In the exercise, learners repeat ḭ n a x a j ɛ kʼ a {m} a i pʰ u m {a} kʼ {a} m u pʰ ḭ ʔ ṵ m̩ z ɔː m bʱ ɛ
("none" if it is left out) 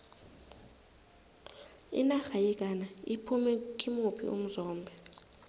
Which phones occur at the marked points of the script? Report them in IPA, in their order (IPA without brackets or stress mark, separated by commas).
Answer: n, ɛ, i